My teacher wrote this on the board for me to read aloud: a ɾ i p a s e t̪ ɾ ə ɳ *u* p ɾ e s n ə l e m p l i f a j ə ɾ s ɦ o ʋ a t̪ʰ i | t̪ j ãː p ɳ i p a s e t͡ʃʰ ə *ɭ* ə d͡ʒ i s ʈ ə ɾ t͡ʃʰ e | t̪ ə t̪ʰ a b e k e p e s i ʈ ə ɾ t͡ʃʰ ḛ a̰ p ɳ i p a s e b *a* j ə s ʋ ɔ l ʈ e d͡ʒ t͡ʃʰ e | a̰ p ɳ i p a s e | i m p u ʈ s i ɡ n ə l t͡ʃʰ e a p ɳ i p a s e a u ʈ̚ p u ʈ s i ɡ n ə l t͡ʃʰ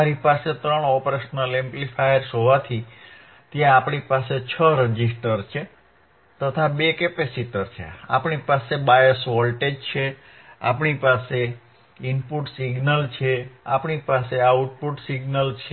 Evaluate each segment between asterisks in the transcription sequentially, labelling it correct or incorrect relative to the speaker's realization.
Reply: incorrect, incorrect, correct

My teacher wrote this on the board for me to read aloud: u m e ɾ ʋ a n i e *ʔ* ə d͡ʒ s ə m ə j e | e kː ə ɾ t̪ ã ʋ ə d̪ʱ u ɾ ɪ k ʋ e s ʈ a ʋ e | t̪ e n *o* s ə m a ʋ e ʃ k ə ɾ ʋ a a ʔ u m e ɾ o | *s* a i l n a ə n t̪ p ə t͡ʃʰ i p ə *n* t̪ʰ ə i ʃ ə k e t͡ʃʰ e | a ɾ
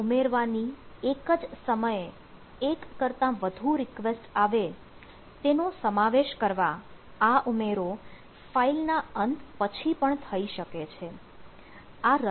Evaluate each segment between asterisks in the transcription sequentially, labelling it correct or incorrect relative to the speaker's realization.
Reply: incorrect, correct, incorrect, incorrect

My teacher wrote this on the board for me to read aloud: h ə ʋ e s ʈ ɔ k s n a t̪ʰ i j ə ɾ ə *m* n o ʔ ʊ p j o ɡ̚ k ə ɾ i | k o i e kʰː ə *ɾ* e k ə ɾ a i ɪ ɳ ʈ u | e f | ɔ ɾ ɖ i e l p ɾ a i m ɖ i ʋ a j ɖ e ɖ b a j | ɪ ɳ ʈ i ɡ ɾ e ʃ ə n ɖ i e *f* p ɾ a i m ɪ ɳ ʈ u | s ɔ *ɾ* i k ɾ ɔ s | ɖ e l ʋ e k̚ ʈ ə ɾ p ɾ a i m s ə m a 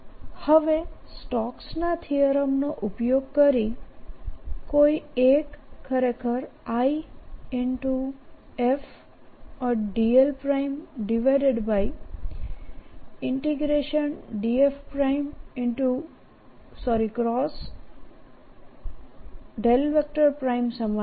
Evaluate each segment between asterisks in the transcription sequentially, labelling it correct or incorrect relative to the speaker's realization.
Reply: correct, correct, correct, correct

